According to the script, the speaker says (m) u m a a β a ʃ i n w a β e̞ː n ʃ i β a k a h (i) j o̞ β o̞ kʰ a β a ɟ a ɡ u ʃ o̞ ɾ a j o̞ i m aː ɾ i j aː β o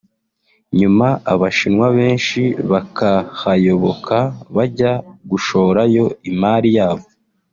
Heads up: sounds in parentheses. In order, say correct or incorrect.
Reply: incorrect: ɲ, incorrect: a

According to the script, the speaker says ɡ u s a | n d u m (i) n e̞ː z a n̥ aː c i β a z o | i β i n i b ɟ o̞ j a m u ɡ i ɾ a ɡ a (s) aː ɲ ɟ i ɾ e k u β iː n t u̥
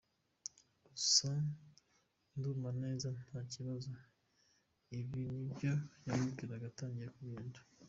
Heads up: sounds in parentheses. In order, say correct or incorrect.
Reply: incorrect: a, incorrect: t

